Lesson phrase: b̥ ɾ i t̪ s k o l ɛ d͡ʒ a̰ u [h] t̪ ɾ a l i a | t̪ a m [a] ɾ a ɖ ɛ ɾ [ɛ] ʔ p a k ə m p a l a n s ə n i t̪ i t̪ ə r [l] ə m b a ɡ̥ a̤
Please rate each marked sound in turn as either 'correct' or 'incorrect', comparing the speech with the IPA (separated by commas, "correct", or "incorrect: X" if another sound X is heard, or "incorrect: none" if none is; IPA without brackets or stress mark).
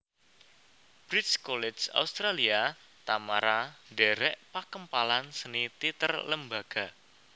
incorrect: s, correct, correct, correct